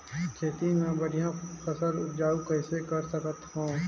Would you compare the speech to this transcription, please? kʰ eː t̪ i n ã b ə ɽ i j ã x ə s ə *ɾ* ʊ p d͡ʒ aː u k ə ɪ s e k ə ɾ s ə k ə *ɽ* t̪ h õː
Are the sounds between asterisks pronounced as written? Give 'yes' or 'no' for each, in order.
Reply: yes, no

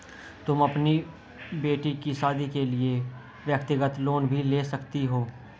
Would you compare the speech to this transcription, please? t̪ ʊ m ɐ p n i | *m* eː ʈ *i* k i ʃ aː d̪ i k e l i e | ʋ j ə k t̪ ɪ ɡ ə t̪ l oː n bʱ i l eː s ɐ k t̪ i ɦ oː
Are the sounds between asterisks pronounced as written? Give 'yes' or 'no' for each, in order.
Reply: no, yes

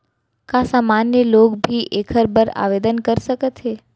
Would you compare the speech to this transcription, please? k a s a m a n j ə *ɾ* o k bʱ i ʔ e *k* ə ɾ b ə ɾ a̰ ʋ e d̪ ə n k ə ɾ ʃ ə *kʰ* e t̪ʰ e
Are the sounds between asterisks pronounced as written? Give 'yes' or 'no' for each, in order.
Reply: no, no, no

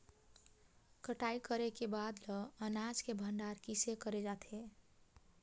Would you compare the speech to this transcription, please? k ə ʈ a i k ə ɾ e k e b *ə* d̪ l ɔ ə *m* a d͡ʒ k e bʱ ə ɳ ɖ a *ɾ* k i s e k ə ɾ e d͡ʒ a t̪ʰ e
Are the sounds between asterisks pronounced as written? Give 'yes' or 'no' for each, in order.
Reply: no, no, yes

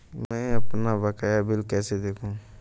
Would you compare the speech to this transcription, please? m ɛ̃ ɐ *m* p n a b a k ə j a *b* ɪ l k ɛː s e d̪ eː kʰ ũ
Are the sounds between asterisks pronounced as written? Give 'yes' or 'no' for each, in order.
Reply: no, yes

